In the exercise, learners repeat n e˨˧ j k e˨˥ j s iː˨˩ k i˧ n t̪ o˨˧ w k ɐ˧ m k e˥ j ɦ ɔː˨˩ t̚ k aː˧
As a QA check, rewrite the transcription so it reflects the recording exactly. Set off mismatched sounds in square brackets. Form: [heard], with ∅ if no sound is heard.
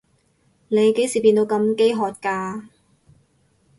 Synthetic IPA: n e˨˧ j k e˨˥ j s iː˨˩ [p] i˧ n t̪ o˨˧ w k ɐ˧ m k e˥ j ɦ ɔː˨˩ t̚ k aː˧